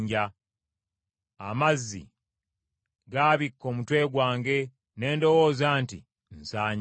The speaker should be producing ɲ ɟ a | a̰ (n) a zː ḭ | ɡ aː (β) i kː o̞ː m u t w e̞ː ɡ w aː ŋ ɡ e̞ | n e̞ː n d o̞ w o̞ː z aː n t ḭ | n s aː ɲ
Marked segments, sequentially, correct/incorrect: incorrect, correct

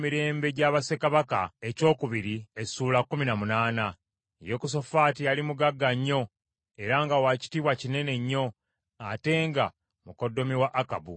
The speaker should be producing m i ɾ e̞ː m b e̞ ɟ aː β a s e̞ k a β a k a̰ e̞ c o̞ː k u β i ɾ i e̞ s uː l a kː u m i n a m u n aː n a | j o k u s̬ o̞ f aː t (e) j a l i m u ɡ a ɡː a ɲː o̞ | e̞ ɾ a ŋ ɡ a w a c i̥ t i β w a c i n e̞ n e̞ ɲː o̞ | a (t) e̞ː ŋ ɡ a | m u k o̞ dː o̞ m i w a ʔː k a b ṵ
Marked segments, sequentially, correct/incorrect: incorrect, correct

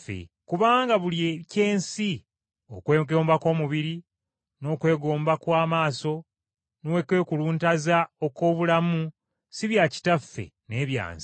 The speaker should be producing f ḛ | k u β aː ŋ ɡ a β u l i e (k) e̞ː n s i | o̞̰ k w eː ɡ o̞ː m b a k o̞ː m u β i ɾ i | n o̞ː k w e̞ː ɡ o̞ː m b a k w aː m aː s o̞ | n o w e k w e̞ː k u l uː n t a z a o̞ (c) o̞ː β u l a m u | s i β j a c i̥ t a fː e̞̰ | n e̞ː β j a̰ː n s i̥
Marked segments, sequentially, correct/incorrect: incorrect, incorrect

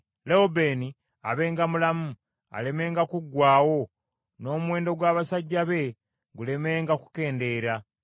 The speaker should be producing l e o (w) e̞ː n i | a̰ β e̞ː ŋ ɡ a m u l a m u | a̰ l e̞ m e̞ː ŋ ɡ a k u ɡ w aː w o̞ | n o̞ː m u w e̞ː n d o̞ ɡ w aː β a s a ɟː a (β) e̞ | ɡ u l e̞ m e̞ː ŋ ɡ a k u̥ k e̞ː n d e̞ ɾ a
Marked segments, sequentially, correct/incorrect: incorrect, correct

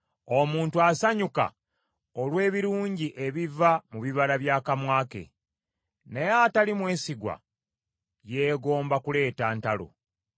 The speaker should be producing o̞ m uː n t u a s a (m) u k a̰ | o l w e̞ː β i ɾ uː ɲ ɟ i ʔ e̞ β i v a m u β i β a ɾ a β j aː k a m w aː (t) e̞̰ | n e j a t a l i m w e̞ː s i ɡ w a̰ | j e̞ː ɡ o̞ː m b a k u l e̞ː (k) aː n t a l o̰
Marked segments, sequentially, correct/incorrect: incorrect, incorrect, incorrect

